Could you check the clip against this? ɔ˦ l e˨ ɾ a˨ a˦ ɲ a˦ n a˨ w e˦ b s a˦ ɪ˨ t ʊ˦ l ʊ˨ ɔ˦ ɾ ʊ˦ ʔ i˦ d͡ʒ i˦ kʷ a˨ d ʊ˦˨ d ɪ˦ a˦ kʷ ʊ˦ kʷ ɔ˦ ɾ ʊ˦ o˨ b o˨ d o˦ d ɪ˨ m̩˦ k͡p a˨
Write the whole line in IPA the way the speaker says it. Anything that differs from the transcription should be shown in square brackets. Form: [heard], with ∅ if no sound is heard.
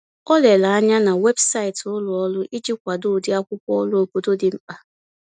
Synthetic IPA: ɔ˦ l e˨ [l] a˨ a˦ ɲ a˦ n a˨ w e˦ b s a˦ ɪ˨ t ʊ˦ l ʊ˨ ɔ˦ [l] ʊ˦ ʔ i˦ d͡ʒ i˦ kʷ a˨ d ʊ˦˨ d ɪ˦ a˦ kʷ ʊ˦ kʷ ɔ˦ [l] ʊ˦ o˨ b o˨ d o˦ d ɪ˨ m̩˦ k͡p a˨